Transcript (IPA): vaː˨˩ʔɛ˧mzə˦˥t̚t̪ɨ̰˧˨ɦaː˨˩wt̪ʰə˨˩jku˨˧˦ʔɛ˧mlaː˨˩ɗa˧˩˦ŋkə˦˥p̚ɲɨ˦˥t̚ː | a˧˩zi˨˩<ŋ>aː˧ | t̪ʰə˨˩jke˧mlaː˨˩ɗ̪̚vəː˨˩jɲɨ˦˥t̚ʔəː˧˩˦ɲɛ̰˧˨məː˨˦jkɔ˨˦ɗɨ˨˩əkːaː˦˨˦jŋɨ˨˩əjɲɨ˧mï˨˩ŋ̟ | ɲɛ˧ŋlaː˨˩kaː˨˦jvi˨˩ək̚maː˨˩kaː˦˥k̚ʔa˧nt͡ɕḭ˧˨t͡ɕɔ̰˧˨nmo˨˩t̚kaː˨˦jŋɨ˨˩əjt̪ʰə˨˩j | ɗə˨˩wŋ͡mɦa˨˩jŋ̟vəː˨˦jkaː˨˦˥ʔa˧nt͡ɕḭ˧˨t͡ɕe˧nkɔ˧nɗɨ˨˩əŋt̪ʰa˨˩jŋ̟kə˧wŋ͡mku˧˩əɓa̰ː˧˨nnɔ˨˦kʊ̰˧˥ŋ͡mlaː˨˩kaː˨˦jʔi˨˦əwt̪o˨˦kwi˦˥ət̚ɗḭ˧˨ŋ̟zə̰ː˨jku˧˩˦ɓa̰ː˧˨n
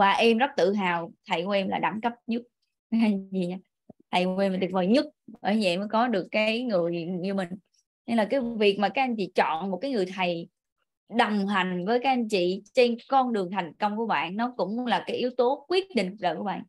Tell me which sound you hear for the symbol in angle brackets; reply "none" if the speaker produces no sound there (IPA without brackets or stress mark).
ɲ